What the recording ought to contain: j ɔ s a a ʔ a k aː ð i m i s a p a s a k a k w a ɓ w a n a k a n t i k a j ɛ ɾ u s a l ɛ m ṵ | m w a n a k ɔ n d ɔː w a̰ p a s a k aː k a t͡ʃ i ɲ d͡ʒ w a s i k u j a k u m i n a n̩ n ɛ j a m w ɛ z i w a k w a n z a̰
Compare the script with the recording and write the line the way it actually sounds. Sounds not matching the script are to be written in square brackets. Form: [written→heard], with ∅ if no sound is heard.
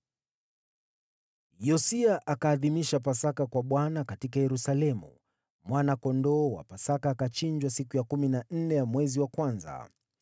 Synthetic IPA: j ɔ s [a→i] a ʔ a k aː ð i m i [s→ʃ] a p a s a k a k w a ɓ w a n a k a [n→∅] t i k a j ɛ ɾ u s a l ɛ m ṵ | m w a n a k ɔ n d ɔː w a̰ p a s a k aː k a t͡ʃ i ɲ d͡ʒ w a s i k u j a k u m i n a n̩ n ɛ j a m w ɛ z i w a k w a n z a̰